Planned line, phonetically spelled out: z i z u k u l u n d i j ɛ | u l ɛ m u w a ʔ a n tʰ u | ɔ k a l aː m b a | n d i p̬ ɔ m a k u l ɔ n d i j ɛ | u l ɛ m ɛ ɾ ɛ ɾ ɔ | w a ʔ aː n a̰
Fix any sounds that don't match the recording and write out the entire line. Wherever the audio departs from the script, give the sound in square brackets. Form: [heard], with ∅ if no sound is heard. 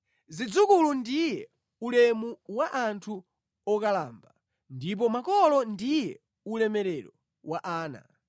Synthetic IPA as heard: z i [d͡z] u k u l u n d i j ɛ | u l ɛ m u w a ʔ a n tʰ u | ɔ k a l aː m b a | n d i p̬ ɔ m a k [ɔ] l ɔ n d i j ɛ | u l ɛ m ɛ ɾ ɛ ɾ ɔ | w a ʔ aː n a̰